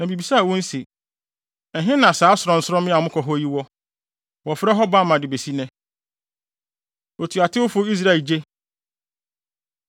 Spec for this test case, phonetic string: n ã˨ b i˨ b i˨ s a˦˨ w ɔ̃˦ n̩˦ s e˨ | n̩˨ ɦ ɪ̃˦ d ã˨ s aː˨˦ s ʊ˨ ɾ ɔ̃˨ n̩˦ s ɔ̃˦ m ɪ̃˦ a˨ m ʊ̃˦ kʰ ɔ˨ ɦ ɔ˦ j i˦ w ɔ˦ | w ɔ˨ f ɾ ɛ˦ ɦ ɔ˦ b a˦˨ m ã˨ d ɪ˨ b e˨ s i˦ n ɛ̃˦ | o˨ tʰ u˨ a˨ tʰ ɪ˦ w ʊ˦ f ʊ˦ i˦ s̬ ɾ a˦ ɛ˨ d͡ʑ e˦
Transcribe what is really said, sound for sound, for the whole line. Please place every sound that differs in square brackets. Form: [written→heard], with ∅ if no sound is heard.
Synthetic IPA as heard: n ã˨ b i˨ b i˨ s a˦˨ w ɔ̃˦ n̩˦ s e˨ | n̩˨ ɦ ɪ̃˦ [d→n] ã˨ s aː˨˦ s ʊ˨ ɾ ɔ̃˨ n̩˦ s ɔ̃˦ m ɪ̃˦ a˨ m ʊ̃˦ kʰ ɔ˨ ɦ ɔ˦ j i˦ w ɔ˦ | w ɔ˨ f ɾ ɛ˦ ɦ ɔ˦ b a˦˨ m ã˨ d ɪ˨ b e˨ s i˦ n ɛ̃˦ | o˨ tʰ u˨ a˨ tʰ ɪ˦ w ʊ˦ f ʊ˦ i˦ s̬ ɾ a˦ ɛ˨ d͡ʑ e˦

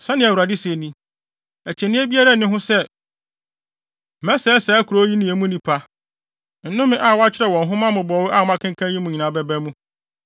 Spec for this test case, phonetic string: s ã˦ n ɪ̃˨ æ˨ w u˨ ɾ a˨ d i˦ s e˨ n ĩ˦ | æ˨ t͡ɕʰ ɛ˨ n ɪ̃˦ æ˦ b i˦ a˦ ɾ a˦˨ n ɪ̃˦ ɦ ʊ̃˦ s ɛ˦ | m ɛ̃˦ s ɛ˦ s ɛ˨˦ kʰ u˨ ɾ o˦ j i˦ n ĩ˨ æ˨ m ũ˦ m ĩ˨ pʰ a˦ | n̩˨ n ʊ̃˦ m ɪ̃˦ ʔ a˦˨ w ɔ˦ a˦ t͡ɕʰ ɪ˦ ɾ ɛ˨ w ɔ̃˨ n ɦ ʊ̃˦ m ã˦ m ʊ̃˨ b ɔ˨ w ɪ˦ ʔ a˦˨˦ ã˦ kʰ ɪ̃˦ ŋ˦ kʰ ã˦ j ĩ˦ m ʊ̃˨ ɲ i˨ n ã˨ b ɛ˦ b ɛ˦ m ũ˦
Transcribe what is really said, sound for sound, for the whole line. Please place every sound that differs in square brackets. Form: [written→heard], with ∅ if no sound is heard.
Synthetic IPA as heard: s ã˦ n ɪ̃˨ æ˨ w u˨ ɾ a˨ d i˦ s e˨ n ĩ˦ | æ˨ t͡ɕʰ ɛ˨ n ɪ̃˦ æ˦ b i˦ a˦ ɾ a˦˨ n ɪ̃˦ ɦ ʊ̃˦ s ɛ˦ | m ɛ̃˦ s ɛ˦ s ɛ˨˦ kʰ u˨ ɾ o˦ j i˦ n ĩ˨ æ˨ m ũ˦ [m→n] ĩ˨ pʰ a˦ | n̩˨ n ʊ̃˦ m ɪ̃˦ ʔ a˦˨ w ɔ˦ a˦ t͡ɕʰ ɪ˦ ɾ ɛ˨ w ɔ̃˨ n ɦ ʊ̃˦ m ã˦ m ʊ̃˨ b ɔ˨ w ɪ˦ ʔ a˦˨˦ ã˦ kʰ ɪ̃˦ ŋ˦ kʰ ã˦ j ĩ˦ m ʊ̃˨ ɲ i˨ n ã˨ b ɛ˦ b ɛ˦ m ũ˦

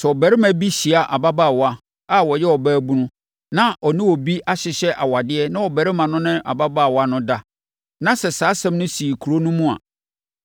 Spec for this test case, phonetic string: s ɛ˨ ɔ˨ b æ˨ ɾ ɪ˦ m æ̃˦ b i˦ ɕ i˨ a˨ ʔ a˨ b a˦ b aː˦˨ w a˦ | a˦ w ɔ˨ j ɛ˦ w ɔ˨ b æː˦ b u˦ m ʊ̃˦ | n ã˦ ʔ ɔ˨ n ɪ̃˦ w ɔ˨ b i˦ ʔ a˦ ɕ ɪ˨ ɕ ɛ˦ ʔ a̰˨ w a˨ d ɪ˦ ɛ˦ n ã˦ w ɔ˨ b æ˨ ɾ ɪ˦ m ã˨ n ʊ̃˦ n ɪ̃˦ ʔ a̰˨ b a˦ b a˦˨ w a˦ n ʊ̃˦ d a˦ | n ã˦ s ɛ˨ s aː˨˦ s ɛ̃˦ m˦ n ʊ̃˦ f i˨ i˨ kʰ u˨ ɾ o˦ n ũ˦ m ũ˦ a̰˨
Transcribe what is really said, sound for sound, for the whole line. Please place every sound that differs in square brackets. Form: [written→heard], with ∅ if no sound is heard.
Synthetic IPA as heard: s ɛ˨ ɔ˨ b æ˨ ɾ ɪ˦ m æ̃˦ b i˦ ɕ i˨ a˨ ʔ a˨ b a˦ b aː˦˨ w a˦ | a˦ w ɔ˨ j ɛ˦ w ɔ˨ b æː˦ b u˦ [m→n] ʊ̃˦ | n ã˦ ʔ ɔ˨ n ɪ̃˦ w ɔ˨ b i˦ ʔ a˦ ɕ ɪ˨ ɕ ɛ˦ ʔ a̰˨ w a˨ d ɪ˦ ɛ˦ n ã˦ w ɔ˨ b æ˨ ɾ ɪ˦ m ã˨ n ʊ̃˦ n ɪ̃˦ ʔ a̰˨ b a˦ b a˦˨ w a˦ n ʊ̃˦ d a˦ | n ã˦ s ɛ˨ s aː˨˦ s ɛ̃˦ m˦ n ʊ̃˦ [f→s] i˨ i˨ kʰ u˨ ɾ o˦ n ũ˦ m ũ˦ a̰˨

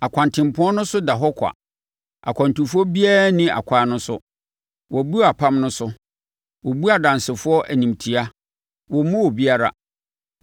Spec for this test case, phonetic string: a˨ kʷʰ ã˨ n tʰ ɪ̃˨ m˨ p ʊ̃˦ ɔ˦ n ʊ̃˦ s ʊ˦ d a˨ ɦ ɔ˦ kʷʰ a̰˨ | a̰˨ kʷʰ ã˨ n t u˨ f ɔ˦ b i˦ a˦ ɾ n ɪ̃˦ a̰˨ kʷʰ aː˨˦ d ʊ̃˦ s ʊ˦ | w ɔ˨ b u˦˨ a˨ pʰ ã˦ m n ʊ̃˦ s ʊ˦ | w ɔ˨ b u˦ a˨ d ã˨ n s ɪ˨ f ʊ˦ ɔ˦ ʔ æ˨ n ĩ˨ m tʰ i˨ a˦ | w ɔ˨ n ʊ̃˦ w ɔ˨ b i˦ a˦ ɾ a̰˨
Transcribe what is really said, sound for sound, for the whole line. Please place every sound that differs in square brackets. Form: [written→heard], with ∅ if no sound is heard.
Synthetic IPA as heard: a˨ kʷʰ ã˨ n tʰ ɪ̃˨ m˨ p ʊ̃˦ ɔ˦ n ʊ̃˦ s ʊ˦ d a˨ ɦ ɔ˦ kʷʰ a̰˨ | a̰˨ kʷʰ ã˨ n t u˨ f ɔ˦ b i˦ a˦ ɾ n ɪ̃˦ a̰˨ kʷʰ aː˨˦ [d→n] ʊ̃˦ s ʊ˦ | w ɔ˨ b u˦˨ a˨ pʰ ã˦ m n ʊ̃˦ s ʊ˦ | w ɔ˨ b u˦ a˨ d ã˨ n s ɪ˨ f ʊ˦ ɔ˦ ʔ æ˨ n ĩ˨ m tʰ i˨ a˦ | w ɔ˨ [n→m] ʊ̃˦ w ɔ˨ b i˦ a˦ ɾ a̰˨

